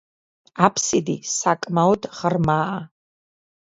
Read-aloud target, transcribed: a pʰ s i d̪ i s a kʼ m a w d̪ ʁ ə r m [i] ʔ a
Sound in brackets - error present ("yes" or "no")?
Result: yes